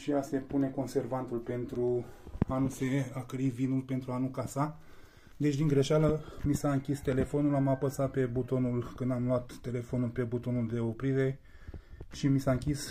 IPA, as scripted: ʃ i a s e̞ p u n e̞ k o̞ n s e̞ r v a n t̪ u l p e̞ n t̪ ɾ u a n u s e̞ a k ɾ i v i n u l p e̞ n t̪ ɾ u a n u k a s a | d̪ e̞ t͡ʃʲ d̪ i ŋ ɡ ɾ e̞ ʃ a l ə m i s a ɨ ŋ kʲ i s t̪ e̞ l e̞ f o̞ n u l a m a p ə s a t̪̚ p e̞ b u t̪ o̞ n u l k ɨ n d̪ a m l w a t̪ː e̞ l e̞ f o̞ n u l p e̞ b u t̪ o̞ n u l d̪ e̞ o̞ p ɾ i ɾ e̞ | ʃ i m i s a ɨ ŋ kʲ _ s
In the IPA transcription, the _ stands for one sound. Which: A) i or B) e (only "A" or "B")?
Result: A